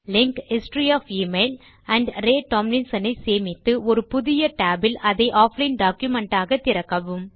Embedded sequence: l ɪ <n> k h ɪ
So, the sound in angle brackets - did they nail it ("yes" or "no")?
no